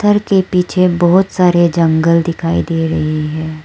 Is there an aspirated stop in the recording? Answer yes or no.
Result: yes